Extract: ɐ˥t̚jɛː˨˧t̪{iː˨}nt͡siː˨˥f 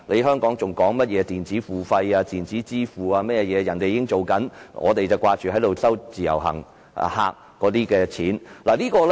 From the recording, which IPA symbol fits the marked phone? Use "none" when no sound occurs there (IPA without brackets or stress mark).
iː˨